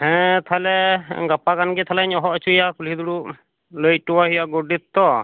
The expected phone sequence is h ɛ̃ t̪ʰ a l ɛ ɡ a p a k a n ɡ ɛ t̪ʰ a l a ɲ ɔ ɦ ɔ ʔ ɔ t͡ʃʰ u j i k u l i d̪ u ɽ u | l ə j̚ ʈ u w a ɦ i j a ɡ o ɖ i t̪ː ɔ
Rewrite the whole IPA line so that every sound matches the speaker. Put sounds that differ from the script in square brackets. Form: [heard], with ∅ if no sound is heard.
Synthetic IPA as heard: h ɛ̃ t̪ʰ a l ɛ ɡ a p a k a n ɡ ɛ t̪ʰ a l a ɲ ɔ ɦ ɔ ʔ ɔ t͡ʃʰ u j [a] k u l i d̪ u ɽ u | l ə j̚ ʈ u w a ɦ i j a ɡ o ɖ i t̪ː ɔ